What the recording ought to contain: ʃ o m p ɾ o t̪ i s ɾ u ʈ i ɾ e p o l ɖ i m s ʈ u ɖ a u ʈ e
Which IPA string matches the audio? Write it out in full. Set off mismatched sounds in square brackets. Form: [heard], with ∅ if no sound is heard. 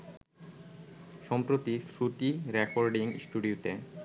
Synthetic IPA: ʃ [ɔ] m p ɾ o t̪ i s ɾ u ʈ i ɾ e [k] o [ɾ] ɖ i [ŋ] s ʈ u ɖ [i] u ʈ e